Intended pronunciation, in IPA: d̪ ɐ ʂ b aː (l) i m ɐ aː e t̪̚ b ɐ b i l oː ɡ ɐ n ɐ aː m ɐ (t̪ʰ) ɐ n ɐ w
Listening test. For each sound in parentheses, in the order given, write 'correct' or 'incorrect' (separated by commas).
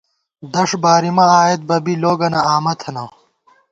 incorrect, correct